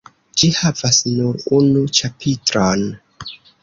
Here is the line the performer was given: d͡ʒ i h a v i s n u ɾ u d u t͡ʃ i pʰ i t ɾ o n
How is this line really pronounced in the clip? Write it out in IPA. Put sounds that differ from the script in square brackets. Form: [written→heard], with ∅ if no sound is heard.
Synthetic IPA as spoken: d͡ʒ i h a v [i→a] s n u ɾ u [d→n] u t͡ʃ [i→a] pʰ i t ɾ o n